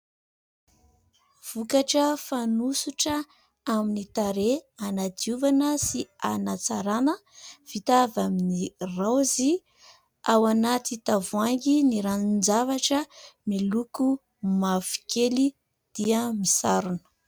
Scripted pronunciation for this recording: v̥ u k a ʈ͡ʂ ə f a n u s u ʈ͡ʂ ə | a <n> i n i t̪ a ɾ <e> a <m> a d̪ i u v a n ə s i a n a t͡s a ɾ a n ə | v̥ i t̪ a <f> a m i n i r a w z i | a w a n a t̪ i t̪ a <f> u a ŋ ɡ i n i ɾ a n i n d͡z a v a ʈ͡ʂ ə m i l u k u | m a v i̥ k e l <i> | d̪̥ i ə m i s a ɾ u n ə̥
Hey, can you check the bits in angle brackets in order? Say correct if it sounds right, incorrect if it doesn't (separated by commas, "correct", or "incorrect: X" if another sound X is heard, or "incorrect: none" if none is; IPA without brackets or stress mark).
incorrect: m, correct, incorrect: n, incorrect: v, incorrect: v, correct